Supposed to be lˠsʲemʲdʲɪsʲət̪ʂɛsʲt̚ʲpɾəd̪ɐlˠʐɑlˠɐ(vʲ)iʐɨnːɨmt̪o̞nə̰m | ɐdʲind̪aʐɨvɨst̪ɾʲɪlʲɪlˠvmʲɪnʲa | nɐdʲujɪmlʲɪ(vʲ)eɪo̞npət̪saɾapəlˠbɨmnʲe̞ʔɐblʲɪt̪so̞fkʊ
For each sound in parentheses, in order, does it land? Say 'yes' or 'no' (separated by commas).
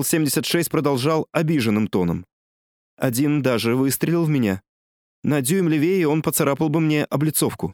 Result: no, yes